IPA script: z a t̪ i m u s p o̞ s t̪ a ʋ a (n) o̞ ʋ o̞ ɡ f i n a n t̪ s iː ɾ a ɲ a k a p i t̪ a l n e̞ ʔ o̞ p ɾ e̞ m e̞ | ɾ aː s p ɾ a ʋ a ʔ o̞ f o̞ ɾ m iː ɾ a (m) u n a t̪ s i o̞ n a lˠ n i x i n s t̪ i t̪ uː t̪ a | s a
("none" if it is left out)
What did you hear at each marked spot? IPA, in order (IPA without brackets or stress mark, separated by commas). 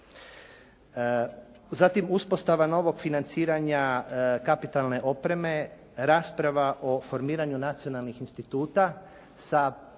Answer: n, ɲ